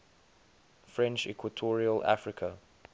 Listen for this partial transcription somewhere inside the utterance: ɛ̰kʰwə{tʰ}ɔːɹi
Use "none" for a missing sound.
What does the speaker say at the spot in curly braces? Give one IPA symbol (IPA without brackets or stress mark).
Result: tʰ